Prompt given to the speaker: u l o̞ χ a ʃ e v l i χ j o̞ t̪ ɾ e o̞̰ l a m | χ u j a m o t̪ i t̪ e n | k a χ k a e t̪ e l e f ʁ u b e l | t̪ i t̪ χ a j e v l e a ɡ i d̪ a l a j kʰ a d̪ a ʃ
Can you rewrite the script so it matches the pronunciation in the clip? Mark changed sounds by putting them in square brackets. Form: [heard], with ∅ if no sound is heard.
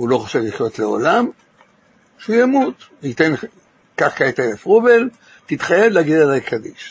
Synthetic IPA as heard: u l o̞ χ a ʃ e v l i χ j o̞ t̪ [l] e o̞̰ l a m | [ʃ] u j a m [u] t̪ i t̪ e n | k a χ k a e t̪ e l e f ʁ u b e l | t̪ i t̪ χ a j e v l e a ɡ i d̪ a l a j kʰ a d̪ [i] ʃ